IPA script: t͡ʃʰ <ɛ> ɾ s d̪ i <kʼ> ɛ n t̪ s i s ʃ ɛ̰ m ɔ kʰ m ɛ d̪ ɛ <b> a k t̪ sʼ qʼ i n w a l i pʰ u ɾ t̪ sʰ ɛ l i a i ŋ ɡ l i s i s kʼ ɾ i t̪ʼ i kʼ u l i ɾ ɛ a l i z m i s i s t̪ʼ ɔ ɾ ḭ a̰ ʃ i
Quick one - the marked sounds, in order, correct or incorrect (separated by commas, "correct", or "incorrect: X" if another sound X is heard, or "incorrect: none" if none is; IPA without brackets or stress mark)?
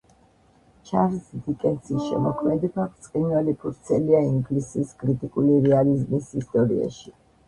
incorrect: a, correct, correct